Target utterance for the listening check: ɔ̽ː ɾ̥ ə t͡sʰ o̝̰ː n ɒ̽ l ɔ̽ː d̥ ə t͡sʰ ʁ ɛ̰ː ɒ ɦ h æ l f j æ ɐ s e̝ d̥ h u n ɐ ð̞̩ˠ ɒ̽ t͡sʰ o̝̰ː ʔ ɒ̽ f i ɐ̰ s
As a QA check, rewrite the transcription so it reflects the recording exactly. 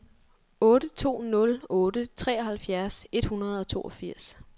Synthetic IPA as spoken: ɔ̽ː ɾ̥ ə t͡sʰ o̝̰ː n ɔ̽ l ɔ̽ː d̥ ə t͡sʰ ʁ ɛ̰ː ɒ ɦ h æ l f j æ ɐ s e̝ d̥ h u n ɐ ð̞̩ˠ ɒ̽ t͡sʰ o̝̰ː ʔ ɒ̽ f i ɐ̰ s